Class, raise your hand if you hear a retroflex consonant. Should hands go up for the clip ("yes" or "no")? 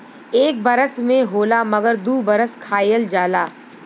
no